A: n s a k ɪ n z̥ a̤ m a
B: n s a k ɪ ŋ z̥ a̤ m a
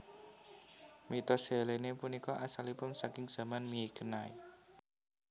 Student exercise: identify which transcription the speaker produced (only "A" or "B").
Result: B